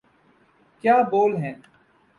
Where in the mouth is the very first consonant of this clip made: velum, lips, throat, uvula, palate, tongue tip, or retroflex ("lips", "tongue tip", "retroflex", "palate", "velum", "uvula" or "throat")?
velum